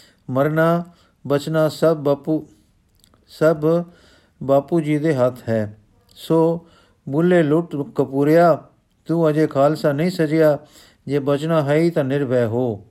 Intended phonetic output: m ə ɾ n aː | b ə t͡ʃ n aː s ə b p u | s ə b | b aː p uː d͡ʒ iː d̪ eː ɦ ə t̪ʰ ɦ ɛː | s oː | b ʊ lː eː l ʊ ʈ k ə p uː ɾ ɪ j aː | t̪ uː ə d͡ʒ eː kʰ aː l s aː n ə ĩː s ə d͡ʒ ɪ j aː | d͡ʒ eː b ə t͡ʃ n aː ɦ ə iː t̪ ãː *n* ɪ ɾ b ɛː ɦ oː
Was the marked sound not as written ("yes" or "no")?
no